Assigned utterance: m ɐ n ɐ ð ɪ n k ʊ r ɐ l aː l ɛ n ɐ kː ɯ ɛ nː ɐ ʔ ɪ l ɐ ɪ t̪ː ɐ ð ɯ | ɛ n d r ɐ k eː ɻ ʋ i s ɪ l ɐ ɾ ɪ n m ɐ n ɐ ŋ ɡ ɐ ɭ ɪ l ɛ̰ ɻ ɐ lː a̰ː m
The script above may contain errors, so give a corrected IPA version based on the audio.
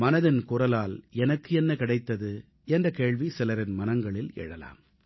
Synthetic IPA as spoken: m ɐ n ɐ ð ɪ n k ʊ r ɐ l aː l ɛ n ɐ kː ɯ ɛ nː ɐ k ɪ ɽ ɐ ɪ t̪ː ɐ ð ɯ | ɛ n d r ɐ k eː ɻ ʋ i s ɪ l ɐ ɾ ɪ n m ɐ n ɐ ŋ ɡ ɐ ɭ ɪ l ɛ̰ ɻ ɐ l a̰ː m

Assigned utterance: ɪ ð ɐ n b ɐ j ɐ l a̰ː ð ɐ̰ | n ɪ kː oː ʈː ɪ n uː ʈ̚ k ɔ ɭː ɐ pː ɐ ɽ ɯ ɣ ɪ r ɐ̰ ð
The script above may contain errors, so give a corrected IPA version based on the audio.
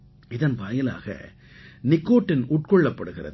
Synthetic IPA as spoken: ɪ ð ɐ n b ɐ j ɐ l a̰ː ɣ ɐ̰ | n ɪ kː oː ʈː ɪ n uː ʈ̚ k ɔ ɭː ɐ pː ɐ ɽ ɯ ɣ ɪ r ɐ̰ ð

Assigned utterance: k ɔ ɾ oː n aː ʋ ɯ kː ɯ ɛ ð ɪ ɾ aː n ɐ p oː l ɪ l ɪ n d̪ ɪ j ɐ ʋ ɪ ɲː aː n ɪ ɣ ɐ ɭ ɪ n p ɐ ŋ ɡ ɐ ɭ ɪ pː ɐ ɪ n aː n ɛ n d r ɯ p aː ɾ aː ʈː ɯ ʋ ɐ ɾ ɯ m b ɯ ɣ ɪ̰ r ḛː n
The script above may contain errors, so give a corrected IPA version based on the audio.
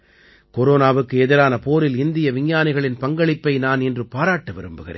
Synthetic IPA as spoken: k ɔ ɾ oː n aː ʋ ɯ kː ɯ ɛ ð ɪ ɾ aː n ɐ p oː ɾ ɪ l ɪ n d̪ ɪ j ɐ ʋ ɪ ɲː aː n ɪ ɣ ɐ ɭ ɪ n p ɐ ŋ ɡ ɐ ɭ ɪ pː ɐ ɪ n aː n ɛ n d r ɯ p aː ɾ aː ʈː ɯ ʋ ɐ ɾ ɯ m b ɯ ɣ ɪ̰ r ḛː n

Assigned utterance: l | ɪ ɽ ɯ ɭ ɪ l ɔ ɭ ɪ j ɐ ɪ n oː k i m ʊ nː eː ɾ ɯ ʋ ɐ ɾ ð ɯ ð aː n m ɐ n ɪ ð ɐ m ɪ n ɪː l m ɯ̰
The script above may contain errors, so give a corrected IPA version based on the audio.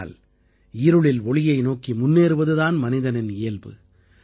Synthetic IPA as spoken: l | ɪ ɾ ɯ ɭ ɪ l ɔ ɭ ɪ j ɐ ɪ n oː k i m ʊ nː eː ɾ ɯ ʋ ɐ ð ɯ ð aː n m ɐ n ɪ ð ɐ n ɪ n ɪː l b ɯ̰

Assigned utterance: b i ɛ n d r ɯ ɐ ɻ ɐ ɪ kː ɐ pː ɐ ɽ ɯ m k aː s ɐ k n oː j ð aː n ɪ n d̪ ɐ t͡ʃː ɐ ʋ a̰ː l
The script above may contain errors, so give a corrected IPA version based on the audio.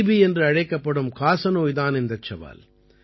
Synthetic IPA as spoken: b i ɛ n d r ɯ ɐ ɻ ɐ ɪ kː ɐ pː ɐ ɽ ɯ m k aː s ɐ n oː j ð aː n ɪ n d̪ ɐ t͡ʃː ɐ ʋ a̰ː l

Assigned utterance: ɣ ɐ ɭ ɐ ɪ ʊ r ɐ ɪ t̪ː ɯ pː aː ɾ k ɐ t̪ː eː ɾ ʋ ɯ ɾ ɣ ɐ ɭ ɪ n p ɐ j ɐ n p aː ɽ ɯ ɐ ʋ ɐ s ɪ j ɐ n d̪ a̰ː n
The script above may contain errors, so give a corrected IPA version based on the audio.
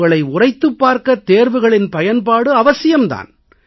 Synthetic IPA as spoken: ɣ ɐ ɭ ɐ ɪ ʊ r ɐ ɪ t̪ː ɯ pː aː ɾ k ɐ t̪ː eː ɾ ʋ ɯ ɣ ɐ ɭ ɪ n p ɐ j ɐ n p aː ɽ ɯ ɐ ʋ ɐ s ɪ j ɐ m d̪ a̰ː n

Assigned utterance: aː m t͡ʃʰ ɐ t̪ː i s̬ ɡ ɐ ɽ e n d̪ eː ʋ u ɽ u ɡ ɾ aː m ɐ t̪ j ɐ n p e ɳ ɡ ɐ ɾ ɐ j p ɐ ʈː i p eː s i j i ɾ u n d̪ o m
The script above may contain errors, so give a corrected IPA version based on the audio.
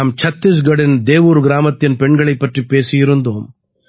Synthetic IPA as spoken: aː m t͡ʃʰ ɐ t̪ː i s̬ ɡ ɐ ɽ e n d̪ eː ʋ u ɾ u ɡ ɾ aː m ɐ t̪ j ɐ n p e ɳ ɡ ɐ ɭ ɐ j p ɐ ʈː i p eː s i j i ɾ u n d̪ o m

